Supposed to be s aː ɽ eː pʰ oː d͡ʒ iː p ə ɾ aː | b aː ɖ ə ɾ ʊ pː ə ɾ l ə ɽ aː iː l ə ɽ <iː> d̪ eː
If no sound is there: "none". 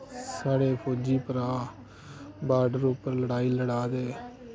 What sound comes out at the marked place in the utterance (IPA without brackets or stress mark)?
aː